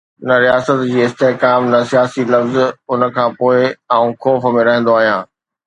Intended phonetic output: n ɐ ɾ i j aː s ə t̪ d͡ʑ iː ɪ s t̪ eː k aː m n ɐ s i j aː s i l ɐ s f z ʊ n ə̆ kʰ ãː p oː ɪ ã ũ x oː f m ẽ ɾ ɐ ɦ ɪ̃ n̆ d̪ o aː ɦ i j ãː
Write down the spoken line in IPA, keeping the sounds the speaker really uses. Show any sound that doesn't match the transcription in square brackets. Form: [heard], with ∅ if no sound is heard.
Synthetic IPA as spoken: n ɐ ɾ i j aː s ə t̪ d͡ʑ iː ɪ s t̪ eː k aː m n ɐ s i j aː s i l ɐ [∅] f z ʊ n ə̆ kʰ ãː p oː ɪ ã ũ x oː f m ẽ ɾ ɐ ɦ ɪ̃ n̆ d̪ o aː ɦ i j ãː